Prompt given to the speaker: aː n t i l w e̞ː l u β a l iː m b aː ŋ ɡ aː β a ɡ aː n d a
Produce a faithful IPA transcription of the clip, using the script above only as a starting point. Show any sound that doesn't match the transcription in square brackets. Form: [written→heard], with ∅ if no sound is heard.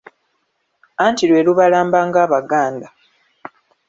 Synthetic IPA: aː n t i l w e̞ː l u β a l [iː→aː] m b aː ŋ ɡ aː β a ɡ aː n d a